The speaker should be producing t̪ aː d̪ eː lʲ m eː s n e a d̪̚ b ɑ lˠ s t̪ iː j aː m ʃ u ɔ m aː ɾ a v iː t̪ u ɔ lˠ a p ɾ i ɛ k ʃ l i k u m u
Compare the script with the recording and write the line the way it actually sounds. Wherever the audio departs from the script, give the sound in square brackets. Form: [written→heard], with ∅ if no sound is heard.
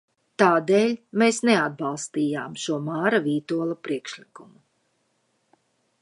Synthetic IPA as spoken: t̪ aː d̪ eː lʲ m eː s n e a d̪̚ b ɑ lˠ s t̪ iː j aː m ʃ u ɔ m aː ɾ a v iː t̪ u ɔ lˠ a p ɾ i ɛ k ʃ l i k u m u